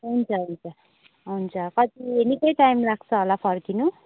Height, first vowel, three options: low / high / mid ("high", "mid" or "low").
high